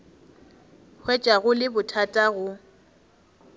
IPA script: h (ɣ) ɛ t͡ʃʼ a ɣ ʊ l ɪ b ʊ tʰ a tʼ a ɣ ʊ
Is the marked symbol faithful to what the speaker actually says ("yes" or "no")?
no